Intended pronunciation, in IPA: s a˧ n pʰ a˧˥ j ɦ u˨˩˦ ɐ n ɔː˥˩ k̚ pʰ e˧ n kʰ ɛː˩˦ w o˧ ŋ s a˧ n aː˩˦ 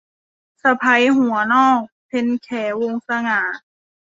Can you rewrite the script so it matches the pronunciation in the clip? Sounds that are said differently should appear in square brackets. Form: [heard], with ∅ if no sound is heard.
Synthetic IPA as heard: s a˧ [∅] pʰ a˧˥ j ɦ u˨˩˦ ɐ n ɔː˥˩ k̚ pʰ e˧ n kʰ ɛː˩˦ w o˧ ŋ s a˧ [ŋ] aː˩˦